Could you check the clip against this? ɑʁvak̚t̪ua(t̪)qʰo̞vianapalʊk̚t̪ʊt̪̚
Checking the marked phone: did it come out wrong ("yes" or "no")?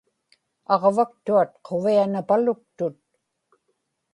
no